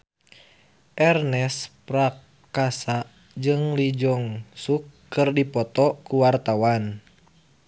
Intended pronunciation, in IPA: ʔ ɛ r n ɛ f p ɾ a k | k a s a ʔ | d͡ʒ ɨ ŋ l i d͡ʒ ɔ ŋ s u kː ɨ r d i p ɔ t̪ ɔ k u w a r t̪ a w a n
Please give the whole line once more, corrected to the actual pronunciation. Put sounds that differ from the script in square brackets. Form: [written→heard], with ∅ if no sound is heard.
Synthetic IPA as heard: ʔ ɛ r n ɛ [f→s] p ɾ a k | k a s a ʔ | d͡ʒ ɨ ŋ l i d͡ʒ ɔ ŋ s u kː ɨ r d i p ɔ t̪ ɔ k u w a r t̪ a w a n